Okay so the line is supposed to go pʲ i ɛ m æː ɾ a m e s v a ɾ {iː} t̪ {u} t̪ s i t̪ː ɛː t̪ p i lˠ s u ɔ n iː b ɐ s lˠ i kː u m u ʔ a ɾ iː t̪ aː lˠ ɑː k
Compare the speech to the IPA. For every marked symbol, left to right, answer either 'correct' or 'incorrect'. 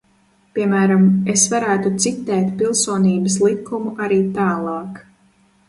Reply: incorrect: æː, correct

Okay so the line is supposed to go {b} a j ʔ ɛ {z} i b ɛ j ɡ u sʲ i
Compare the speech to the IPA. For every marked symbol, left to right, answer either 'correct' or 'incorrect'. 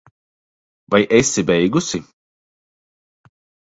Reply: incorrect: v, incorrect: s

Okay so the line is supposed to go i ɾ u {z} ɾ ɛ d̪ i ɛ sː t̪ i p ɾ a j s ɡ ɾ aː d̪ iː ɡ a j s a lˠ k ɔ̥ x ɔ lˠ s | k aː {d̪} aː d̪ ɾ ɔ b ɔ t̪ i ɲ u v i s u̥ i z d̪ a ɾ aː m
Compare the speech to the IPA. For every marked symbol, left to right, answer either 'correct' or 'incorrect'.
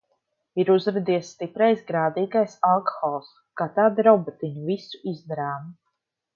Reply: correct, incorrect: t̪

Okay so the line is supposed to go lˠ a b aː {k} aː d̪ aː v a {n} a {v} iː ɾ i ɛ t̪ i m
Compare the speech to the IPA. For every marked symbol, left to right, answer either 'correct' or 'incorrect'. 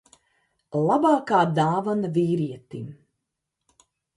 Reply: correct, correct, correct

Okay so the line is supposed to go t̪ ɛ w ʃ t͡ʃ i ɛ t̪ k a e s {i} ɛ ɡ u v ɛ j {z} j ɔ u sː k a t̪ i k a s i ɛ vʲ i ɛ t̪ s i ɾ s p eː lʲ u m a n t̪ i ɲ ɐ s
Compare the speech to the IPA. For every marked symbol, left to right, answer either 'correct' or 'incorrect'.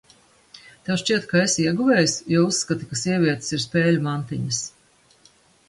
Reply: correct, incorrect: s

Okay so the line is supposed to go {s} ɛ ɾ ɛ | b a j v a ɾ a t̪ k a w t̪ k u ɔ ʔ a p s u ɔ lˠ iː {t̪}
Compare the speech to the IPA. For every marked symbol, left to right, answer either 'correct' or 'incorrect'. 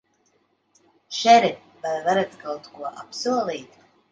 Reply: incorrect: ʃ, correct

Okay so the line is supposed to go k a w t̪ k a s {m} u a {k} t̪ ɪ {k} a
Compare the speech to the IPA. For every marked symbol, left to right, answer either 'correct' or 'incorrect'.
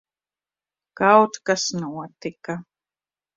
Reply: incorrect: n, incorrect: none, correct

